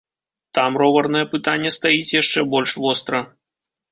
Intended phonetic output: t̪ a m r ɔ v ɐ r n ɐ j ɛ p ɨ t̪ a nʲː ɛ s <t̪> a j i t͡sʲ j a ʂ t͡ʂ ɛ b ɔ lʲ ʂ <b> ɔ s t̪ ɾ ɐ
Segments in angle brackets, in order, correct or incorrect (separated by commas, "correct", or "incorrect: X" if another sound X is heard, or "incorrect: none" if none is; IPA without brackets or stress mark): correct, incorrect: v